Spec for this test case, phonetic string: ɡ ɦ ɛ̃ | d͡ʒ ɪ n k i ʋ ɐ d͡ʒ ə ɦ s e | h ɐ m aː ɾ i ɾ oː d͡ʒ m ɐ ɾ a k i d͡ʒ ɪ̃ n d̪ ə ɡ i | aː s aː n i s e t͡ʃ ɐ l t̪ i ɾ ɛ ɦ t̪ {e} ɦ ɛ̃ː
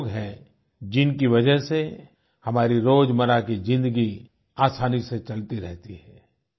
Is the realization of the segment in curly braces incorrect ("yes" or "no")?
yes